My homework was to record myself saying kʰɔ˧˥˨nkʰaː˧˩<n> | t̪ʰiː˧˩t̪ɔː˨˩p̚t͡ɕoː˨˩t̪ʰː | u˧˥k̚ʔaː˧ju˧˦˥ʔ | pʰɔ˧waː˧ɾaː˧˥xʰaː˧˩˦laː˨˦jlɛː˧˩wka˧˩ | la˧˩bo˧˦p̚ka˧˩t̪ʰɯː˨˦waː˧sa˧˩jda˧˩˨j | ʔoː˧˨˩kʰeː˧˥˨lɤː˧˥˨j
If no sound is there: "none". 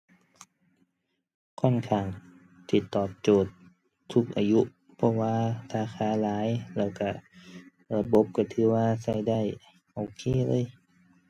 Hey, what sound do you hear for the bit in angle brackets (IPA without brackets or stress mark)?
ŋ